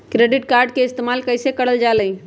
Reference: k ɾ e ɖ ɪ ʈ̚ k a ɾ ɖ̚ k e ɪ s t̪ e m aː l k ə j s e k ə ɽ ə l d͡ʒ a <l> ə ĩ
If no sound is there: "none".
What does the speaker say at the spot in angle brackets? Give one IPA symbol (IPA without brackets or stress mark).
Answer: l